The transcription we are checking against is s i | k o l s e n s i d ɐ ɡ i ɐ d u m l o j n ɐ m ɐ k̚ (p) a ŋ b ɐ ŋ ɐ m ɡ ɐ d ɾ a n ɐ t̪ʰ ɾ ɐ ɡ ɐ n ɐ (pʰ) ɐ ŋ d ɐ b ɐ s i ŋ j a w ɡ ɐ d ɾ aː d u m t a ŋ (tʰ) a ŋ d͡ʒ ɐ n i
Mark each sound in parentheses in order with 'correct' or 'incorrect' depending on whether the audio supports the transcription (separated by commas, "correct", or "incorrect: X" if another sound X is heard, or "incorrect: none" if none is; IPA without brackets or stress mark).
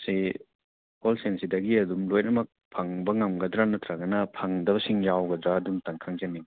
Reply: incorrect: pʰ, correct, incorrect: kʰ